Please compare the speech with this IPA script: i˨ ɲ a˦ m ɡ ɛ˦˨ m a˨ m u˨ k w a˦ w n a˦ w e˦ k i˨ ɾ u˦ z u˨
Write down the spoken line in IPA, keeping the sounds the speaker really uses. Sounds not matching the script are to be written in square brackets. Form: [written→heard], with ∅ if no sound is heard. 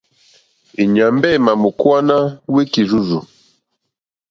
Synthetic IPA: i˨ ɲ [a˦→a˨] m [ɡ→b] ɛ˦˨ m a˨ m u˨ k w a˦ [w→∅] n a˦ w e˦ k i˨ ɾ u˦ z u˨